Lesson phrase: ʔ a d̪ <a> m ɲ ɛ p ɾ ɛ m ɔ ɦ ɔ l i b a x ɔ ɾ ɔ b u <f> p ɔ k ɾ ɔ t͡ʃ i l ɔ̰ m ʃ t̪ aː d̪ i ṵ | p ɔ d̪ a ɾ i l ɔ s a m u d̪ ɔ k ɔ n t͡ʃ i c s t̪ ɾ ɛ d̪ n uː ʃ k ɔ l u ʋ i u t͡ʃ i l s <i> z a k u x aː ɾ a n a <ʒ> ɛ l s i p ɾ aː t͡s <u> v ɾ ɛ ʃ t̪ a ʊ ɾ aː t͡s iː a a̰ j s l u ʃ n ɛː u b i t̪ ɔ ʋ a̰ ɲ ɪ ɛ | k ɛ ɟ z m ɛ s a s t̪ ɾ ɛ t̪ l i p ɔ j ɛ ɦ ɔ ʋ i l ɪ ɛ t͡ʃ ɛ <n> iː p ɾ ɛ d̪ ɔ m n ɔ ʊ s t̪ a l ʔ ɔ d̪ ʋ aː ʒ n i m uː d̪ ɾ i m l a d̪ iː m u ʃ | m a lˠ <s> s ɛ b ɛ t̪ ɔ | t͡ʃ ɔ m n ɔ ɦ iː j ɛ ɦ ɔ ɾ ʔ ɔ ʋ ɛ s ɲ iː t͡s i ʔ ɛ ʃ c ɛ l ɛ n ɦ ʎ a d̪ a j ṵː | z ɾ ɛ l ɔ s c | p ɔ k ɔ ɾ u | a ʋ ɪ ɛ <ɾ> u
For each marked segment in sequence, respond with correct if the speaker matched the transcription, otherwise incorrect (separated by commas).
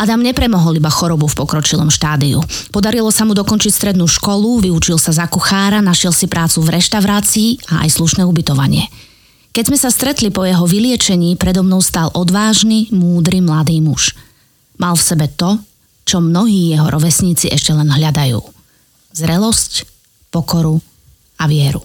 correct, correct, incorrect, incorrect, correct, incorrect, incorrect, correct